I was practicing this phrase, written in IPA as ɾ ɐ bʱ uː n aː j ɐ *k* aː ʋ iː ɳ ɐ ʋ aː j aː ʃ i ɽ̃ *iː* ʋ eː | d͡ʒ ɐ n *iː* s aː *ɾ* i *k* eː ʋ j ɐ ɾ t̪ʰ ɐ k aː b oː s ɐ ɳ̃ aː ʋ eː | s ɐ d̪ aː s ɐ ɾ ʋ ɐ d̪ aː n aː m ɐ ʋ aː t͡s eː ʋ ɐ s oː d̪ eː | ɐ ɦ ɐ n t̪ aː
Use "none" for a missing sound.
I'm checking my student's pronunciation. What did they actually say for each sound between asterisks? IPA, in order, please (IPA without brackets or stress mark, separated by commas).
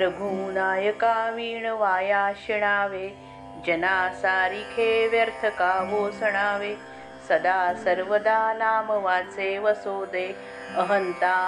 k, aː, aː, ɾ, kʰ